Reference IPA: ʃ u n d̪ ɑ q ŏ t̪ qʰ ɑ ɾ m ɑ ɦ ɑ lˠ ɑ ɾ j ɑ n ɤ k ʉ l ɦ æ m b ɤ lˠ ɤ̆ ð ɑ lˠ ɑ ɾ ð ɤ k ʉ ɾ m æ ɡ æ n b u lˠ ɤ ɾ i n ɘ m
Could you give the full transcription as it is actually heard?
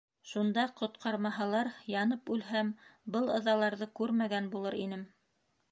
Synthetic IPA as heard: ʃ u n d̪ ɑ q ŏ t̪ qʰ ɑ ɾ m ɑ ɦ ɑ lˠ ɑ ɾ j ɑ n ɤ p ʉ l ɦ æ m b ɤ lˠ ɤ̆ ð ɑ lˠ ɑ ɾ ð ɤ k ʉ ɾ m æ ɡ æ n b u lˠ ɤ ɾ i n ɘ m